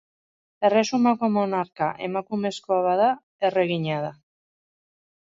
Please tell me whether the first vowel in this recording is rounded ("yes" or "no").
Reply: no